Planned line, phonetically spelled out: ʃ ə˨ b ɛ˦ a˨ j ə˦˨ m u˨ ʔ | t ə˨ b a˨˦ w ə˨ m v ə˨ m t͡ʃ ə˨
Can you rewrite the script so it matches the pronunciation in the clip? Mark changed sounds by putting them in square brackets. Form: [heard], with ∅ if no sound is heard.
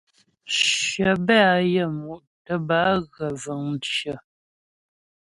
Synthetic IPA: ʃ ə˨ b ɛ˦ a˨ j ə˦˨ m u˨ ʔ | t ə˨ b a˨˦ [ɣ] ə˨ [∅] v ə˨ [ŋ] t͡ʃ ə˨